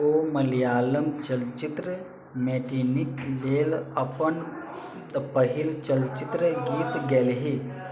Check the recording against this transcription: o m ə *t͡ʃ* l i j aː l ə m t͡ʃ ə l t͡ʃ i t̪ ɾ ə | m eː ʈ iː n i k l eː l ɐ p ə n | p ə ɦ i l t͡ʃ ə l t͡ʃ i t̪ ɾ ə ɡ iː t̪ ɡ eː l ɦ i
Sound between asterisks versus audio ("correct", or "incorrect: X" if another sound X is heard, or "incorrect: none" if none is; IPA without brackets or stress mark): incorrect: none